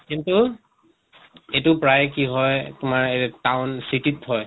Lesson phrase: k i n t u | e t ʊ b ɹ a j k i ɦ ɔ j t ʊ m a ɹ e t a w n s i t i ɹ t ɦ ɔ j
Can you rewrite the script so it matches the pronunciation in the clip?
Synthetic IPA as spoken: k i n t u | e t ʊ p ɹ a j k i ɦ ɔ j t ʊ m a ɹ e t a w n s i t i t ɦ ɔ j